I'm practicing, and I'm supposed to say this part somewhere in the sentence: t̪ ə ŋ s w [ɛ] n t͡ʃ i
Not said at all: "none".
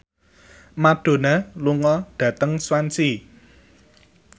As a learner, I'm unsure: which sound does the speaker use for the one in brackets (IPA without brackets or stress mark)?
a